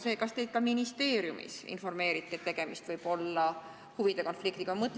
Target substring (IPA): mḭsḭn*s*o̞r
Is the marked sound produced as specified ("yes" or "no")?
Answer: no